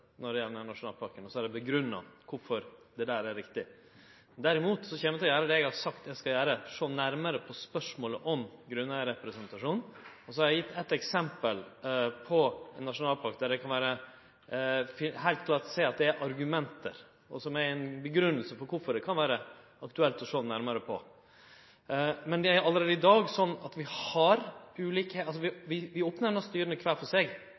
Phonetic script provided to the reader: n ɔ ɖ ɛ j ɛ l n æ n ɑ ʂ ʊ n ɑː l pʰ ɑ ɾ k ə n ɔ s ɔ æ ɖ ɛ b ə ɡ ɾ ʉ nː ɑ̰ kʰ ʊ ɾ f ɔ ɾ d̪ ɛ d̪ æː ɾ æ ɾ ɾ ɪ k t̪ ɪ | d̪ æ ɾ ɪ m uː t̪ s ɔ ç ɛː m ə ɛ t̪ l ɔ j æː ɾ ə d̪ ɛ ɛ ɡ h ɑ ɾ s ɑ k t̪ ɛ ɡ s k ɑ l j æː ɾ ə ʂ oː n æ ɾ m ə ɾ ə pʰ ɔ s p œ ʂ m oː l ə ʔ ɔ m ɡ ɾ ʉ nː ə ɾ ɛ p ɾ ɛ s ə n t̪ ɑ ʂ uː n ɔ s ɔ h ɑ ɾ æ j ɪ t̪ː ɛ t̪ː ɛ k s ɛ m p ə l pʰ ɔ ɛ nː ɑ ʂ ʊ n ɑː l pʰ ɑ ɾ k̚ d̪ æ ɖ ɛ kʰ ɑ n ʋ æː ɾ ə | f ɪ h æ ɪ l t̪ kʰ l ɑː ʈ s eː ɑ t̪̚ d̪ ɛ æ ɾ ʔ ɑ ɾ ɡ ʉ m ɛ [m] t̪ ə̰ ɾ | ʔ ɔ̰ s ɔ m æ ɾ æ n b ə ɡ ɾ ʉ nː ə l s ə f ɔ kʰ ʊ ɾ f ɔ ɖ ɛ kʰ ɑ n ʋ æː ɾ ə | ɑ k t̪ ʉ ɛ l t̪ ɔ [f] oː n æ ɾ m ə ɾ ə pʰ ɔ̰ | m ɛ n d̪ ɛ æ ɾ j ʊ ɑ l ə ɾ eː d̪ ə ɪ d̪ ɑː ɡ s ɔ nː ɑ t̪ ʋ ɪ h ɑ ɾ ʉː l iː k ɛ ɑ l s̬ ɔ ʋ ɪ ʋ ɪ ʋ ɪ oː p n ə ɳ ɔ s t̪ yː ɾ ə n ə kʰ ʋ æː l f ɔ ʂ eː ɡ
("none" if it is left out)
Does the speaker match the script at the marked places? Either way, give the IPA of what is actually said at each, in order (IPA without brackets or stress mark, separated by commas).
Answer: n, ʂ